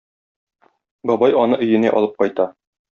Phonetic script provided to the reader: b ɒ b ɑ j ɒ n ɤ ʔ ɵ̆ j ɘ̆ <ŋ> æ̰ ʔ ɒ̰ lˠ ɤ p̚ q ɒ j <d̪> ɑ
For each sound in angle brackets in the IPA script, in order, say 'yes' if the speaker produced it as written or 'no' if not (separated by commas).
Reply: no, no